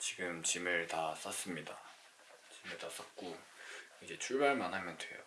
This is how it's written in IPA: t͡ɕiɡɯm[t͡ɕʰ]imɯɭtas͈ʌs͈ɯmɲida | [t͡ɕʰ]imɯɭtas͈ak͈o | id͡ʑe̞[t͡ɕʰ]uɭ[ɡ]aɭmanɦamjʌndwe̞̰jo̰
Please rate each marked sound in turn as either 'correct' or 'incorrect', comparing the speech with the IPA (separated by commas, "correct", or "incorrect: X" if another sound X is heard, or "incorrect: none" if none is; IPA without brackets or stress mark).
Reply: incorrect: t͡ɕ, incorrect: t͡ɕ, correct, incorrect: b